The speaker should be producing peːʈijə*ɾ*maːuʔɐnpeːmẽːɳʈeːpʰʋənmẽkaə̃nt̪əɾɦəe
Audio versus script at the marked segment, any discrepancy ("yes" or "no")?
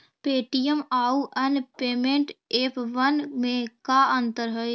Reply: yes